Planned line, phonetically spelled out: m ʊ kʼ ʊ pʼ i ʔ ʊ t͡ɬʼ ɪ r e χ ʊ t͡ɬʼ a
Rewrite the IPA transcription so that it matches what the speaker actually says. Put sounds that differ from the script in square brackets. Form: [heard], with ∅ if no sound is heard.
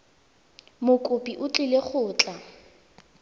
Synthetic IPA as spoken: m ʊ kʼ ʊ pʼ i ʔ ʊ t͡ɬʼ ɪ [l] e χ [ʊː] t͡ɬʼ a